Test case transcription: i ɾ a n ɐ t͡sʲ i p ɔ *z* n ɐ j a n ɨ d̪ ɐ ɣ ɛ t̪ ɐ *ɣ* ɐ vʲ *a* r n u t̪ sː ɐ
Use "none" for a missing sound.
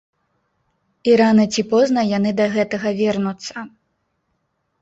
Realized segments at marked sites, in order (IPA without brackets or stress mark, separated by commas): z, ɣ, ɛ